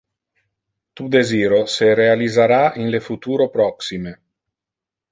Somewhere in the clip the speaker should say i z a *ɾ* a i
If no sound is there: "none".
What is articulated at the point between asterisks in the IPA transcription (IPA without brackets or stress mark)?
ɾ